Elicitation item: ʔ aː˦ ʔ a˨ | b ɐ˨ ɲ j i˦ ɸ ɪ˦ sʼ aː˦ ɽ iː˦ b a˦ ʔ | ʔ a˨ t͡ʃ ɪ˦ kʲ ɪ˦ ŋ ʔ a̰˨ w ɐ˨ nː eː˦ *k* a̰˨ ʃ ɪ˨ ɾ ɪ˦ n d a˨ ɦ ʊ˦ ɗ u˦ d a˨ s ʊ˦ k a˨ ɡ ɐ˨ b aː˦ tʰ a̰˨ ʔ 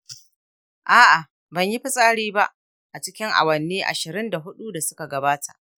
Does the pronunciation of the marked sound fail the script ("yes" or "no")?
yes